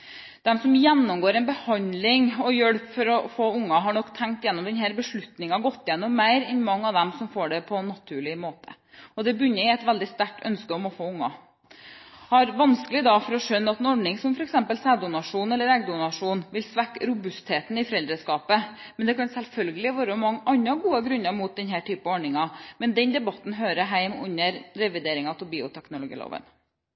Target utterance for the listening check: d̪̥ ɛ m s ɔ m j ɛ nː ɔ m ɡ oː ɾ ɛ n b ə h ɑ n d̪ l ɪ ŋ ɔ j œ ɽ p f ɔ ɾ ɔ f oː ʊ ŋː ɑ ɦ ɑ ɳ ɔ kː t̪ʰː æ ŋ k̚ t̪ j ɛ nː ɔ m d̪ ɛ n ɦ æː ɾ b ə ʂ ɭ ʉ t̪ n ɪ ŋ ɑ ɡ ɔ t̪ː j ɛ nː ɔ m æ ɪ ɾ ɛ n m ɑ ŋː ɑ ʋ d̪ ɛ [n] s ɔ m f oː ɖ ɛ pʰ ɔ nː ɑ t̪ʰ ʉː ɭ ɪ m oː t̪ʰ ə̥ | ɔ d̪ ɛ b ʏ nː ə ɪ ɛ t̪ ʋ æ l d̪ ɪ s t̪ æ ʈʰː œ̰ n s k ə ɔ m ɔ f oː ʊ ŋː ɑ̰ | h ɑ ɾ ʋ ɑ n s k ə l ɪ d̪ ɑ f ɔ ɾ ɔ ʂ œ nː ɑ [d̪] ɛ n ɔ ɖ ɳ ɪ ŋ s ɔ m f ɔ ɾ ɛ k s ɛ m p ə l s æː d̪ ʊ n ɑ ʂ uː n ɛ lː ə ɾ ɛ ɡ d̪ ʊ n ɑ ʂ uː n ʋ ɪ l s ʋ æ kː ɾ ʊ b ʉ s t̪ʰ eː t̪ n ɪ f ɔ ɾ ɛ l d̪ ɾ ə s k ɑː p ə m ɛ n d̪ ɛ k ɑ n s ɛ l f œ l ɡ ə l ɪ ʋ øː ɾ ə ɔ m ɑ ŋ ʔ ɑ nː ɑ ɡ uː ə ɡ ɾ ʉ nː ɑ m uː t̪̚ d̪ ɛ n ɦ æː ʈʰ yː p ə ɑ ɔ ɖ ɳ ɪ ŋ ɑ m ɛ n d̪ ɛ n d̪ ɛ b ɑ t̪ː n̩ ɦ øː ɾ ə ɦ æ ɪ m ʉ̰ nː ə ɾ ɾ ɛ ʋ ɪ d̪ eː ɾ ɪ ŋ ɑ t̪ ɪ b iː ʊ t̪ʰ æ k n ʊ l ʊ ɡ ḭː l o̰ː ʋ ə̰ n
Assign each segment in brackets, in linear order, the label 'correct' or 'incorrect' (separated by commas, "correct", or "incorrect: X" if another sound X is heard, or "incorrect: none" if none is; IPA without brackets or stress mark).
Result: incorrect: m, incorrect: t̪